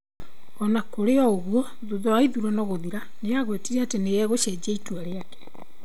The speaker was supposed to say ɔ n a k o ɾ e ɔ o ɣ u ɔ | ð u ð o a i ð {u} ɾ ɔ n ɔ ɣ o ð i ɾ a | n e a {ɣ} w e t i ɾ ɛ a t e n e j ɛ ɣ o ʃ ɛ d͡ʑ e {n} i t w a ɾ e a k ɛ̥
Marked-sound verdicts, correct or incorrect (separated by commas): correct, correct, incorrect